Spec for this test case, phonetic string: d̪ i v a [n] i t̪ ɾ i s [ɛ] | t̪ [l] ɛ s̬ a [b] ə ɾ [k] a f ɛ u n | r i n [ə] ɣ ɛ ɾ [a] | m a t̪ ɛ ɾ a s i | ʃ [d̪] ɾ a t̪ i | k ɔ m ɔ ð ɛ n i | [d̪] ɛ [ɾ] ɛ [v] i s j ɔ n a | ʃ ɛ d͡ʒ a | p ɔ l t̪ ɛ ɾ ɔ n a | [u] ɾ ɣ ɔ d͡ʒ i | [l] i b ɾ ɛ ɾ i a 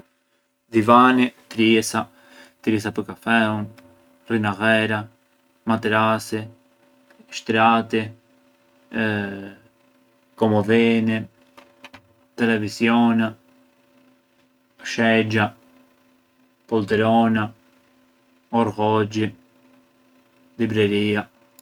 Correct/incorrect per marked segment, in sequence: correct, incorrect, incorrect, incorrect, correct, incorrect, correct, incorrect, incorrect, incorrect, correct, incorrect, correct

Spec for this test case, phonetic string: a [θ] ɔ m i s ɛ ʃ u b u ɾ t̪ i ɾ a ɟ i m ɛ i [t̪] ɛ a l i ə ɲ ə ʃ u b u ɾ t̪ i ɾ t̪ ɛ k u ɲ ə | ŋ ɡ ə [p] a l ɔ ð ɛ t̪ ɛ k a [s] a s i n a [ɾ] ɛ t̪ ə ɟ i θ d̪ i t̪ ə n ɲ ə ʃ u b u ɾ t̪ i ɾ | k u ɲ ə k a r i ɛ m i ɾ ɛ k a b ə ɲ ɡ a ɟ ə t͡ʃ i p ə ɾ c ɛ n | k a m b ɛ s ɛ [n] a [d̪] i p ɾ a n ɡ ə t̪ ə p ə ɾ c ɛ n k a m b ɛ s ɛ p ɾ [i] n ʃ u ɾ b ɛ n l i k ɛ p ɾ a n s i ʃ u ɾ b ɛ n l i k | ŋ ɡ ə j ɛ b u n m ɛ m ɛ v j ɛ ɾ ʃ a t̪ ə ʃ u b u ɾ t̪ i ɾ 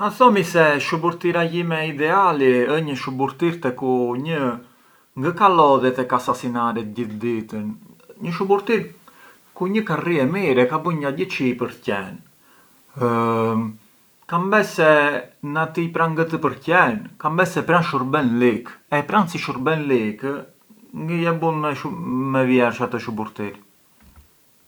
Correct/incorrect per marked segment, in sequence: correct, incorrect, incorrect, correct, correct, correct, incorrect, incorrect

